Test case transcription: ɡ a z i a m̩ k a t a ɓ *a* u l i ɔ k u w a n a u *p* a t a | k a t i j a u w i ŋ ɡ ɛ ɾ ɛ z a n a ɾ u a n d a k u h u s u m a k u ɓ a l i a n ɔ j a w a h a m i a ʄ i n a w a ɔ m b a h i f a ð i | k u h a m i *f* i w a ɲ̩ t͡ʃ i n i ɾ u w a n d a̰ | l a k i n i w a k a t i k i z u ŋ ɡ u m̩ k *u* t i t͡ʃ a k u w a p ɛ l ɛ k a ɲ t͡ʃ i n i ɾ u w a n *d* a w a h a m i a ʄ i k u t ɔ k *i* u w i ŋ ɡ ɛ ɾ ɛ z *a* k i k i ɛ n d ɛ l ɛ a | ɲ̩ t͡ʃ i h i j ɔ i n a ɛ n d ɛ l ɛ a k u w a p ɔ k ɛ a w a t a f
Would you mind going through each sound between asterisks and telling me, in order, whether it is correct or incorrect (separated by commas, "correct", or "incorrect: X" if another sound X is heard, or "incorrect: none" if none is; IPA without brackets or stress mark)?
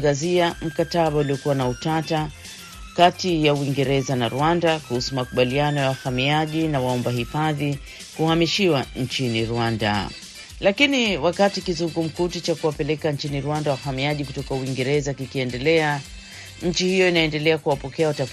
correct, incorrect: t, incorrect: ʃ, correct, correct, incorrect: a, correct